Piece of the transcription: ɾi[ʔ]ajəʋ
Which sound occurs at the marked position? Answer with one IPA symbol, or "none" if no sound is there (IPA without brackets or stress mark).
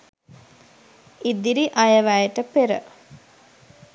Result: ʔ